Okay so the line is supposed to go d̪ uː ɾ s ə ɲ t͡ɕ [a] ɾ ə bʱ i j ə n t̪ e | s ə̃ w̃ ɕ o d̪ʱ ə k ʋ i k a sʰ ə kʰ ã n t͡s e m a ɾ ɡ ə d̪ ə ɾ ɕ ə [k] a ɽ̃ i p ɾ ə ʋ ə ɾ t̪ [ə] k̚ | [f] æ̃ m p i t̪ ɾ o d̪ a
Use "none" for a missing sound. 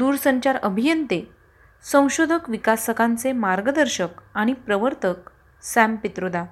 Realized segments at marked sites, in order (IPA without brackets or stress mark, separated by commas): a, k, ə, s